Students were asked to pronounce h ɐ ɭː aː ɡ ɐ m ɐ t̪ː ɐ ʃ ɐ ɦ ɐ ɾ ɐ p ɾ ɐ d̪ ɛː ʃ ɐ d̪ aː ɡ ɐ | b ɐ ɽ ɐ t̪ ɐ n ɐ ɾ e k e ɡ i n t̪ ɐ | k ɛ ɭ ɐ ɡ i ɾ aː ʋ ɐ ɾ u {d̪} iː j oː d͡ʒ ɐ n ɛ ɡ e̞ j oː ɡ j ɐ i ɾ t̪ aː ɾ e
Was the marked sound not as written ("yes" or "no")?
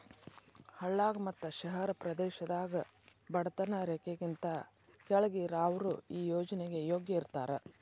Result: yes